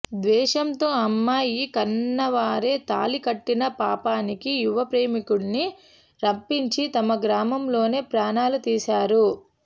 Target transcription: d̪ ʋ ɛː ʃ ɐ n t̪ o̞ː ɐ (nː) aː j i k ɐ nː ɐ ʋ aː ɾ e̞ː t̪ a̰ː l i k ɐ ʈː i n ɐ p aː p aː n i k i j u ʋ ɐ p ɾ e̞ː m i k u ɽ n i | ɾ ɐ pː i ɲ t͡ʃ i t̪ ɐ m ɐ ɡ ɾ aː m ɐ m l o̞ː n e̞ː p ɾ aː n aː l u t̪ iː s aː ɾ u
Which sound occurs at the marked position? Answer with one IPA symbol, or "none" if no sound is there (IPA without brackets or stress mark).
mː